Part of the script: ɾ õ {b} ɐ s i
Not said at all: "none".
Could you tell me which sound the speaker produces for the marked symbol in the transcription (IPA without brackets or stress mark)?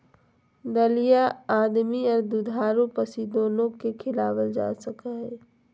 p